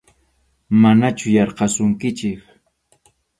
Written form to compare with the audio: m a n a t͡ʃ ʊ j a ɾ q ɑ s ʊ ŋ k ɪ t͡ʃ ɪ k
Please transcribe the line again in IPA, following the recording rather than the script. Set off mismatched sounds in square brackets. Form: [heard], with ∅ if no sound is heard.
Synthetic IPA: m a n a t͡ʃ ʊ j [ɑ] ɾ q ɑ s ʊ ŋ k ɪ t͡ʃ ɪ k